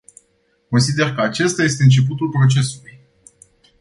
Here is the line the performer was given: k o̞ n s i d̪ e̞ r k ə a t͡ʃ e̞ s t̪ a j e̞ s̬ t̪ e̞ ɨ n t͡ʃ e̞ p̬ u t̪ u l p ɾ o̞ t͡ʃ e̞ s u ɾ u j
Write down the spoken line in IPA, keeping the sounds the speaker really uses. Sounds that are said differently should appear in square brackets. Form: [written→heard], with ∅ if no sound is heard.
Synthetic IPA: k o̞ n s i d̪ e̞ r k ə a t͡ʃ e̞ s t̪ a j e̞ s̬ t̪ e̞ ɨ n t͡ʃ e̞ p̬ u t̪ u l p ɾ o̞ t͡ʃ e̞ s u [ɾ→l] u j